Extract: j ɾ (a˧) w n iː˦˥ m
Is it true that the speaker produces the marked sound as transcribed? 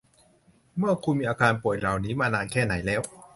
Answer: no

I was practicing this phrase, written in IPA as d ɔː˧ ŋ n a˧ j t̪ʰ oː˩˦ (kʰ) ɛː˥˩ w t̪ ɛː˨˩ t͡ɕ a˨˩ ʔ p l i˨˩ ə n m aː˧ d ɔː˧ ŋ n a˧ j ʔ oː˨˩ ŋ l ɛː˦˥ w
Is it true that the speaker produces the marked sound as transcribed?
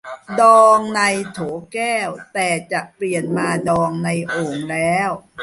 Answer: no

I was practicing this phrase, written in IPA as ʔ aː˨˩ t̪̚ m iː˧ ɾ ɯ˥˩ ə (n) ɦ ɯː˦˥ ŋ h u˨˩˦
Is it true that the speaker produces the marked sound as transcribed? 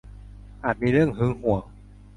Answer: no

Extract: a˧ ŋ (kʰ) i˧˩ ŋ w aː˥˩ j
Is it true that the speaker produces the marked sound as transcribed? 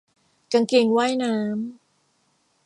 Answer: no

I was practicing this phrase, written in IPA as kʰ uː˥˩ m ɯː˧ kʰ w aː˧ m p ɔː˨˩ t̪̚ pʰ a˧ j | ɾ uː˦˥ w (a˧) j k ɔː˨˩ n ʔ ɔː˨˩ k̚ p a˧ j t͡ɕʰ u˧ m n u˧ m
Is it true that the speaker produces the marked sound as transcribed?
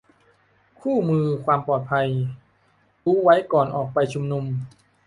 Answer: no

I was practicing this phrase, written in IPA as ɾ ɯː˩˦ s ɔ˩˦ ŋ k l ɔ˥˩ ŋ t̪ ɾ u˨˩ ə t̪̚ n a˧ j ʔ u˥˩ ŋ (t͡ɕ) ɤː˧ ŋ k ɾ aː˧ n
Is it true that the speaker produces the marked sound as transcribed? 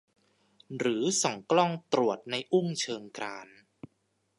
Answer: no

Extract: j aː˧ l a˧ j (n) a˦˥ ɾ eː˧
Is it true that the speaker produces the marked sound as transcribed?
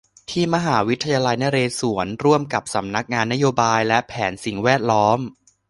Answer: yes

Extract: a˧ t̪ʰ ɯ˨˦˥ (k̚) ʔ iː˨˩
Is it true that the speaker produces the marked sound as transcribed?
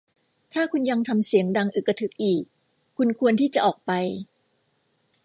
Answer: yes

